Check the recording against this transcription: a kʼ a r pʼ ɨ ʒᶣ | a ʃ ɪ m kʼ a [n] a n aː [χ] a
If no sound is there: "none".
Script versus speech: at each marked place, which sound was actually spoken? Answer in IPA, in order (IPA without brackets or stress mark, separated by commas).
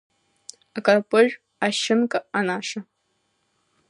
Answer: none, ʂ